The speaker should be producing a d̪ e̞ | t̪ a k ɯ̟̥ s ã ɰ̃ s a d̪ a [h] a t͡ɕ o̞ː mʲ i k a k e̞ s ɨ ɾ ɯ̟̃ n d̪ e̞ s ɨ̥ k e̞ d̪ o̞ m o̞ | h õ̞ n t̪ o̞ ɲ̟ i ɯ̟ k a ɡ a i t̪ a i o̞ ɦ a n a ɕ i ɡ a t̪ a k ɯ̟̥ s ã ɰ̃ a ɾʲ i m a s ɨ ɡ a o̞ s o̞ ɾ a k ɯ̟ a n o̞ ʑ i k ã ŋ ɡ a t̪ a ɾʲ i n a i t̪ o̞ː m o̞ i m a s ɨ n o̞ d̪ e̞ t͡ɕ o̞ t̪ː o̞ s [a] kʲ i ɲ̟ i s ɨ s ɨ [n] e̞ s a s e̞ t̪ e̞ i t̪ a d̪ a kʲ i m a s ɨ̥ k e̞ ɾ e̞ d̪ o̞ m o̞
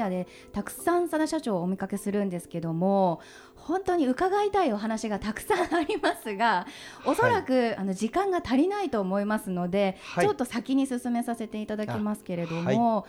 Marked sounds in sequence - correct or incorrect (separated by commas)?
incorrect, correct, incorrect